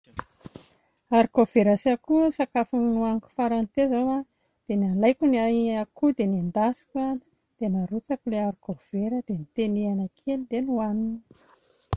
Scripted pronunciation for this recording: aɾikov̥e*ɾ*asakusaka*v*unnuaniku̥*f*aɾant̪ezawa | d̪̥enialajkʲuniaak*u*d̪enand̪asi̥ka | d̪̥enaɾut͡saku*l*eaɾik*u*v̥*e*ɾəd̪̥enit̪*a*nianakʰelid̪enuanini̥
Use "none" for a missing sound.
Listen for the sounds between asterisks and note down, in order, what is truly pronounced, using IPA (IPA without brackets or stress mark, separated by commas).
ɾ, f, f, u, l, o, e, e